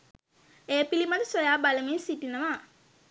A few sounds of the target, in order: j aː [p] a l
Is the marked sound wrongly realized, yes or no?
yes